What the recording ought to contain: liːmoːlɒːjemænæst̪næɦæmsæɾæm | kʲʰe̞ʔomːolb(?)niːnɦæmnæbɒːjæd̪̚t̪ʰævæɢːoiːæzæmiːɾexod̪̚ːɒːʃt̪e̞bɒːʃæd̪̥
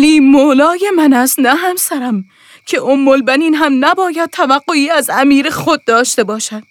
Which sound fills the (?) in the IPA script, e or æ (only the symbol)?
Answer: æ